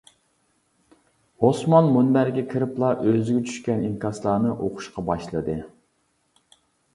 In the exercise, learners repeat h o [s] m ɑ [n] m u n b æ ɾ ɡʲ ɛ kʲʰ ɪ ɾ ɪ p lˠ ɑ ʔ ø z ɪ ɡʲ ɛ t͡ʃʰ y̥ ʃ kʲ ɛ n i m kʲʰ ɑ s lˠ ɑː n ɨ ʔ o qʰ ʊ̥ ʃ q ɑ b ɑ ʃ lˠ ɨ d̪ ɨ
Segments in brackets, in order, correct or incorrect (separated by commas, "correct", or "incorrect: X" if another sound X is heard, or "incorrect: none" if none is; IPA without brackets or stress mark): correct, correct